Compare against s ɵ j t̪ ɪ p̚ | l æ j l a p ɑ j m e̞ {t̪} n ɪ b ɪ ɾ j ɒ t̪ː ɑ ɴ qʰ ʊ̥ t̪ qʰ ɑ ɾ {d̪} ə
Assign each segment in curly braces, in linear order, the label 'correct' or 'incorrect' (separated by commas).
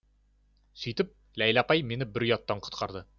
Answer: incorrect, correct